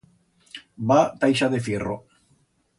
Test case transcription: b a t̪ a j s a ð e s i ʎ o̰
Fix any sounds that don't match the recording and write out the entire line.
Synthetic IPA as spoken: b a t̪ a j ʃ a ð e f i r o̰